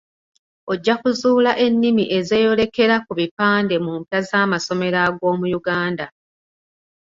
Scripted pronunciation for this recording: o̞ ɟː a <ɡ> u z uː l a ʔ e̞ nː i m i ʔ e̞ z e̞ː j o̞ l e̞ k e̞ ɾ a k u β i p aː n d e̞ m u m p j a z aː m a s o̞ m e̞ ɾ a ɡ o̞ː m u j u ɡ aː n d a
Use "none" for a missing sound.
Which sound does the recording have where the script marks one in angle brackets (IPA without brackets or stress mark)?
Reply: k